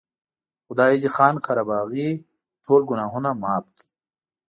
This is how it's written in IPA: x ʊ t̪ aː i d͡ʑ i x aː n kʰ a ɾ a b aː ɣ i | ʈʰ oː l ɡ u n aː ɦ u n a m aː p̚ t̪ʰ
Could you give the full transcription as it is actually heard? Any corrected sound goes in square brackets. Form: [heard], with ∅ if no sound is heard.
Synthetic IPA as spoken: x ʊ [d̪] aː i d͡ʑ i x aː n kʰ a ɾ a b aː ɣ i | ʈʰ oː l ɡ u n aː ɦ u n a m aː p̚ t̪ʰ